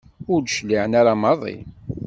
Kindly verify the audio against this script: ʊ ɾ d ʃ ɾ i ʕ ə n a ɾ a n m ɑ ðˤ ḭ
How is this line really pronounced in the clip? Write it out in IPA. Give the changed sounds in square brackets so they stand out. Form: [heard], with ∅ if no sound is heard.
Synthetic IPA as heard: ʊ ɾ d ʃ [l] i ʕ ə n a ɾ a [∅] m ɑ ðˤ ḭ

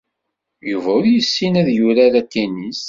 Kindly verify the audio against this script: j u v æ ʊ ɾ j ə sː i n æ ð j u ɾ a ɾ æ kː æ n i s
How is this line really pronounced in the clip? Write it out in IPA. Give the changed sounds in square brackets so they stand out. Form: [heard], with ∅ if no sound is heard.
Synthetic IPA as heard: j u v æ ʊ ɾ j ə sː i n æ ð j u ɾ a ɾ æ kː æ n i s

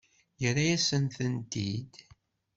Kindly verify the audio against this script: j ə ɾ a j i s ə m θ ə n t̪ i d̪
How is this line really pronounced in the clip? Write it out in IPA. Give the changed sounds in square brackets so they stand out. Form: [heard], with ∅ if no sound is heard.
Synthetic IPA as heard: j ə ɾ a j [æ] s ə [n] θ ə n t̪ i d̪

